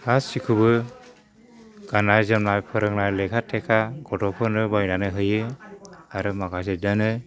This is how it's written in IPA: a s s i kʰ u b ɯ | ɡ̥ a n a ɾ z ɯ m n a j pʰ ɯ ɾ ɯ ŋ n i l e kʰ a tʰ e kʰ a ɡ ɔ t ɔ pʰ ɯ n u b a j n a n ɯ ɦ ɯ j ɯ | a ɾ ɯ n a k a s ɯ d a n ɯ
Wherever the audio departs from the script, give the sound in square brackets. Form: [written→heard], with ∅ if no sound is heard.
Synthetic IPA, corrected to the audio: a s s i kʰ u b ɯ | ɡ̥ a n a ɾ z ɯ m n a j pʰ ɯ ɾ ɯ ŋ n [i→a] l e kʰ a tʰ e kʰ a ɡ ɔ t ɔ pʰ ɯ n [u→ɯ] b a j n a n ɯ ɦ ɯ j ɯ | a ɾ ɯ [n→m] a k a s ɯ d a n ɯ